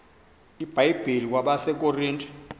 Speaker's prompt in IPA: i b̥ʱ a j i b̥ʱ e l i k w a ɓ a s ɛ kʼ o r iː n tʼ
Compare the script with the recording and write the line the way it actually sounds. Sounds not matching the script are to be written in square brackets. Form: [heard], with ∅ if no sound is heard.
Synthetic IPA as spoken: i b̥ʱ a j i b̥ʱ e l i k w a ɓ a s ɛ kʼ o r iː n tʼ